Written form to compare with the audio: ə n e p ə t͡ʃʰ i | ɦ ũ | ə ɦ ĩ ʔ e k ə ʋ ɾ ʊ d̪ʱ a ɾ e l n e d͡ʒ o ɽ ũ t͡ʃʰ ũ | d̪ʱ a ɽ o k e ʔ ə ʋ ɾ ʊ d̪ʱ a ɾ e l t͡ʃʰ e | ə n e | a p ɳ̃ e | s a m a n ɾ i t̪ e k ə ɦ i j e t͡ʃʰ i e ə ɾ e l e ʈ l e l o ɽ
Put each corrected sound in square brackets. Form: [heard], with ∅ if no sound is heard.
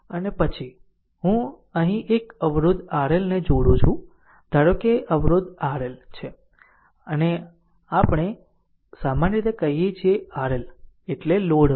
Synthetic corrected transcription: ə n e p ə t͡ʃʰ i | ɦ ũ | ə ɦ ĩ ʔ e k ə ʋ ɾ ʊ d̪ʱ a ɾ e l n e d͡ʒ o ɽ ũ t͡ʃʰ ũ | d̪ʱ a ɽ o k e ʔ ə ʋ ɾ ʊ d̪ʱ a ɾ e l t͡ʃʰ e | ə n e | a p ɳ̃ e | s a m a n ɾ i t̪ e k ə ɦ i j e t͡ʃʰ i e [a] ɾ e l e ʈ l e l o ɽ